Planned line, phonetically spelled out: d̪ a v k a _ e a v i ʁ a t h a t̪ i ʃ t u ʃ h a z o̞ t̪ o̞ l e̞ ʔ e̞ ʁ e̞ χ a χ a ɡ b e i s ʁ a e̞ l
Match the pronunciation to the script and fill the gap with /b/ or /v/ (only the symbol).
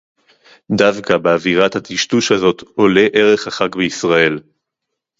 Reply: b